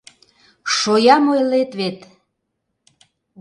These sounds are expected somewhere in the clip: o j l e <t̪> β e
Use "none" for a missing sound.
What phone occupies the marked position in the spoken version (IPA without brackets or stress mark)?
t̪